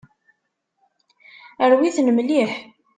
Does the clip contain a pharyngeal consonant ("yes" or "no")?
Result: yes